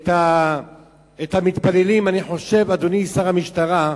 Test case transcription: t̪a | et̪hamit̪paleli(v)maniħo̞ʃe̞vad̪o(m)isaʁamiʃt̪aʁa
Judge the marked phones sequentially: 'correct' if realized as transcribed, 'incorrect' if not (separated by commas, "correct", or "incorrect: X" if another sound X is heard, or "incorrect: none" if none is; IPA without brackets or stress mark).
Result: incorrect: none, incorrect: n